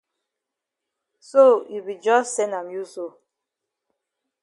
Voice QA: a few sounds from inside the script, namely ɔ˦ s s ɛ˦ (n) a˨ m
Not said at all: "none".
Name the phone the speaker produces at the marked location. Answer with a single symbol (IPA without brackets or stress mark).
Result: n